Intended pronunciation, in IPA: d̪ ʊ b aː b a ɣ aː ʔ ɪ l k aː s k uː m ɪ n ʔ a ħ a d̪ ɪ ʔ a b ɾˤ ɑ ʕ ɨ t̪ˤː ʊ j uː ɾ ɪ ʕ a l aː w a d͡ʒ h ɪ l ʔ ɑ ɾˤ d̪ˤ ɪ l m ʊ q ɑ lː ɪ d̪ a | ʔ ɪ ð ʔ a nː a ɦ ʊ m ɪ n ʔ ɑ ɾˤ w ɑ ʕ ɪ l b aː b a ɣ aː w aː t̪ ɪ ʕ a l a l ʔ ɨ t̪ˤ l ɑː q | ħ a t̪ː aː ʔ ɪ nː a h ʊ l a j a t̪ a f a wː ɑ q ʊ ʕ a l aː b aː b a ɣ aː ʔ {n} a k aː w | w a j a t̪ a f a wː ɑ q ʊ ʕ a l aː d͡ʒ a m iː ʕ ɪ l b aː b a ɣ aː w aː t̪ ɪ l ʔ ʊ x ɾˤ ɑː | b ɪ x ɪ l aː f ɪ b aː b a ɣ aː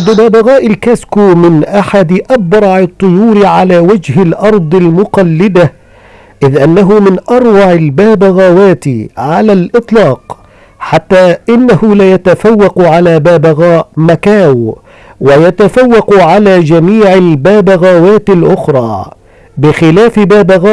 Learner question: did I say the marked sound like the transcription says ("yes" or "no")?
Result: no